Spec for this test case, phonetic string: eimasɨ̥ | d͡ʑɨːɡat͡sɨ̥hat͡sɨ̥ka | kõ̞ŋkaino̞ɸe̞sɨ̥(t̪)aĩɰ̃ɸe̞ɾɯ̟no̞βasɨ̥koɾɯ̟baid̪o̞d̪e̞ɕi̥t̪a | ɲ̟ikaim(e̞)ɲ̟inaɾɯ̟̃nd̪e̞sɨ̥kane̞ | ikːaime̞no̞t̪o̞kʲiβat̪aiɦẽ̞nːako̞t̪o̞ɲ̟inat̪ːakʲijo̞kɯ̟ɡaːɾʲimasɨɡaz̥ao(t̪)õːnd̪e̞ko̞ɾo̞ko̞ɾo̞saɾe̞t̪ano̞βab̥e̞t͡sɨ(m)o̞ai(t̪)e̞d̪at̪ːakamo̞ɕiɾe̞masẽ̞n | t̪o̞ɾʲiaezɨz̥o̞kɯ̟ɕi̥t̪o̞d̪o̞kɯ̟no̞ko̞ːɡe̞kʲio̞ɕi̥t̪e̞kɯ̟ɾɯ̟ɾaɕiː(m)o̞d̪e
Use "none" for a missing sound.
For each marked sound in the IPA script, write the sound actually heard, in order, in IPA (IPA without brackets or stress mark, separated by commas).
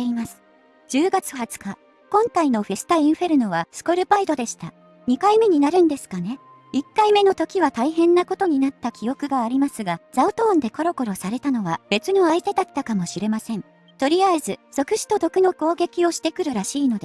t̪, e̞, t̪, n, t̪, n